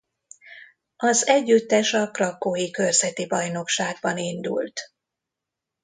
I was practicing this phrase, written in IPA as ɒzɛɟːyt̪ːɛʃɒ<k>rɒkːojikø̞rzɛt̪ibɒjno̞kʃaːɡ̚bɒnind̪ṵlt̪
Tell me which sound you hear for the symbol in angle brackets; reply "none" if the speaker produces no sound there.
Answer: k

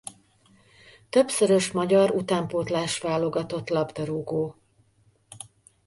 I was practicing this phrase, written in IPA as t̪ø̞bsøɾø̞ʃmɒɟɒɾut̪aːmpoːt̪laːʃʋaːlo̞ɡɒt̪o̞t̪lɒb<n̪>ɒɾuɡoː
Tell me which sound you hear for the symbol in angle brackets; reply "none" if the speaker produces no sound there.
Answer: d̪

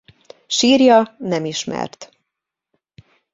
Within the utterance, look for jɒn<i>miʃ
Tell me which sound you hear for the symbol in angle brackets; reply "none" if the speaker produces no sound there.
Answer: ɛ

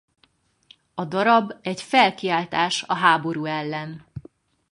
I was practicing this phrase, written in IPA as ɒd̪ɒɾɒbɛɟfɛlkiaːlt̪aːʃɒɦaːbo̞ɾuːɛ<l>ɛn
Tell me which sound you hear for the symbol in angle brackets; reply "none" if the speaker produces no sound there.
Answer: lː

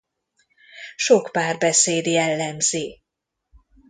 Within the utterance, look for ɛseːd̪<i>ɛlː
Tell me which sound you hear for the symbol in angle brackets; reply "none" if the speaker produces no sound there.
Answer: j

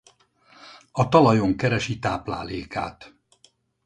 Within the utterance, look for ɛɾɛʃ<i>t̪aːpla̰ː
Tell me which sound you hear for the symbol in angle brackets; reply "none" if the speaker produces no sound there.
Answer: i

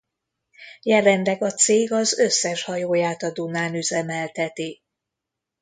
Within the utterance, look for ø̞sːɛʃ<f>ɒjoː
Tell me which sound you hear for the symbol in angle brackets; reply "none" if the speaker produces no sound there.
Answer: h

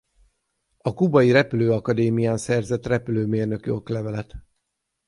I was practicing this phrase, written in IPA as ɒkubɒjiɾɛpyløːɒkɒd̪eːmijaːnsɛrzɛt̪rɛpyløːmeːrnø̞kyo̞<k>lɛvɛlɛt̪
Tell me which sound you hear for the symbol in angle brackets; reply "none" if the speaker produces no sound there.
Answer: k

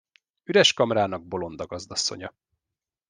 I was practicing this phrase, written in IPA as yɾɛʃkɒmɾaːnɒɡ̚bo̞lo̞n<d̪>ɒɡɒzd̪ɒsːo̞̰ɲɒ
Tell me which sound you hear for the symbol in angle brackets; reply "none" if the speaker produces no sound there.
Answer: d̪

